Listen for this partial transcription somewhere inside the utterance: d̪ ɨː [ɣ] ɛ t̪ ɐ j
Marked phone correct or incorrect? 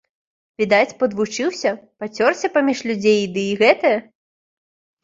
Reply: correct